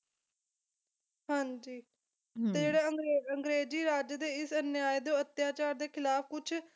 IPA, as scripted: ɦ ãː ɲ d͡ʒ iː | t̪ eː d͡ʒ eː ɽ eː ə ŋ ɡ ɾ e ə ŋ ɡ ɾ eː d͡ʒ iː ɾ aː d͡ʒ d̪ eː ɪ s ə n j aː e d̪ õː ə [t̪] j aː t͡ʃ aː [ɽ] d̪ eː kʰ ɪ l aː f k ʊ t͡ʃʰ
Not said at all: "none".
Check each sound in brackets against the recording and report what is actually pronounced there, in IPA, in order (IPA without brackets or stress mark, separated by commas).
t̪, ɾ